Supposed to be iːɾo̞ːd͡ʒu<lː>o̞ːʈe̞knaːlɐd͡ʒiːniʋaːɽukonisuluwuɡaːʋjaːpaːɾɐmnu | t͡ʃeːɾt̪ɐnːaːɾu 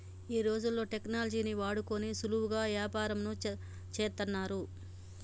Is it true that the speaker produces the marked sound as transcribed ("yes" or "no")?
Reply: yes